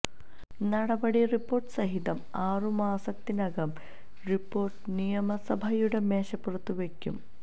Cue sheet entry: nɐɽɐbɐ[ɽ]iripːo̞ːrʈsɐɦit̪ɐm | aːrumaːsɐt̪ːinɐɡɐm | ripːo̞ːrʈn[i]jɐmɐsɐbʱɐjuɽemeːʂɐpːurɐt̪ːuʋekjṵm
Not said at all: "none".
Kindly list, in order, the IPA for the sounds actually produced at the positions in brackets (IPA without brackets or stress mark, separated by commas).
ɽ, i